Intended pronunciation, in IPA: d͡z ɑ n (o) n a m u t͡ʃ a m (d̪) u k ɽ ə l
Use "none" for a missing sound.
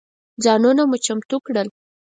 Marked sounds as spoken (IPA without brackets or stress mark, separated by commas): u, t̪